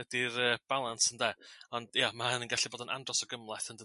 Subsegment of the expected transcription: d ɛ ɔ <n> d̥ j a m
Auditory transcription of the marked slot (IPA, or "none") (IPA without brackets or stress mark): n